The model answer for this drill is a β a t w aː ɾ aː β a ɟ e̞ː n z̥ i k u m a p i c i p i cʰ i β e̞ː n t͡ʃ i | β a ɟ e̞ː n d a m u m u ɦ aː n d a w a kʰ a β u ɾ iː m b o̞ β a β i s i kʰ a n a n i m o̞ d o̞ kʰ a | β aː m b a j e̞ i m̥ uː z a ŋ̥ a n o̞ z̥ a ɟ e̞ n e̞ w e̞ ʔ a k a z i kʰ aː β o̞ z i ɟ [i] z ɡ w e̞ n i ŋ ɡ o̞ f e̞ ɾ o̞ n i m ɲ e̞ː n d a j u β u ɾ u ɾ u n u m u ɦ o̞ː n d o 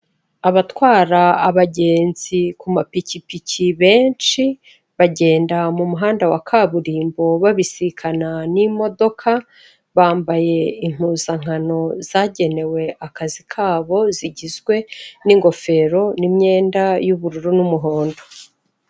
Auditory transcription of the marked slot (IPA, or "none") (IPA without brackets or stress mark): i